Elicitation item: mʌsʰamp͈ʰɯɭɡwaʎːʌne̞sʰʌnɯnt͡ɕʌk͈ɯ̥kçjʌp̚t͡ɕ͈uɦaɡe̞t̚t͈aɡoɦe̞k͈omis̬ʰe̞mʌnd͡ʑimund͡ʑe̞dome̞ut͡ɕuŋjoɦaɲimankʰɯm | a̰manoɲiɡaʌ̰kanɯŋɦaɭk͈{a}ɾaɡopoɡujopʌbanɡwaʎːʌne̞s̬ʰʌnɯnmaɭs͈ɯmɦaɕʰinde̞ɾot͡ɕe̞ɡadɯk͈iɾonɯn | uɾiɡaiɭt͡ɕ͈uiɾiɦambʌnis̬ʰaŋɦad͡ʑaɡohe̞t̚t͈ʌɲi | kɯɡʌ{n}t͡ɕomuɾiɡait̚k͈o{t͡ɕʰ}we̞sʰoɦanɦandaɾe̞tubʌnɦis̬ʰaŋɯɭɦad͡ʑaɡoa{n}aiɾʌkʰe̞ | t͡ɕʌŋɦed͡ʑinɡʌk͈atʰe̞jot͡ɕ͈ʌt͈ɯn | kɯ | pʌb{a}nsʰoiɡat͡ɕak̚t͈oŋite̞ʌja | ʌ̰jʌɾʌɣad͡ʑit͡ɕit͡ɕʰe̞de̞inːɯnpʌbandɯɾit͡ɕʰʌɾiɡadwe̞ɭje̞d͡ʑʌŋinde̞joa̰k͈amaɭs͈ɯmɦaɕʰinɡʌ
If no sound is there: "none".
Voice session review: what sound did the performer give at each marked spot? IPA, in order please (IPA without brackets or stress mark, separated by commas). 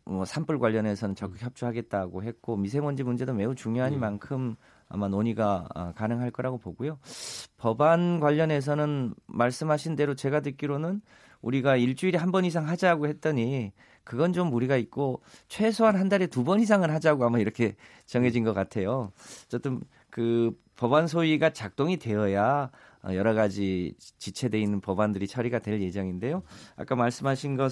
ʌ, n, t͡ɕʰ, m, a